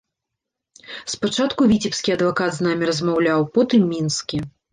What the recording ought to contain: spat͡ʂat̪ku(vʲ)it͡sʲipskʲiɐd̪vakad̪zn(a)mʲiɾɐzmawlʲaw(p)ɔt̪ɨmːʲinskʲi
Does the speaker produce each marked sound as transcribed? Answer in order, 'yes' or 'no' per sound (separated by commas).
yes, yes, yes